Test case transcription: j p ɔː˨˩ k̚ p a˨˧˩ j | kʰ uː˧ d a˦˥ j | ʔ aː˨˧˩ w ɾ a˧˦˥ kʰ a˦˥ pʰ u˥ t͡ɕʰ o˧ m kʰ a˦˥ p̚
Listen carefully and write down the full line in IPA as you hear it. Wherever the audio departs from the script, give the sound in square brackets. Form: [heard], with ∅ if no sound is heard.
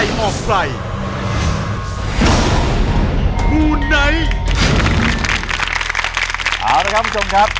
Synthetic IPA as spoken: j [ʔ] ɔː˨˩ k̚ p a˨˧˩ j | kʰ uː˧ [n] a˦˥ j | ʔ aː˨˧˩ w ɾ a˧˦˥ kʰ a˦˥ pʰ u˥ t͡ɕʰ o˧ m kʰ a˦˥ p̚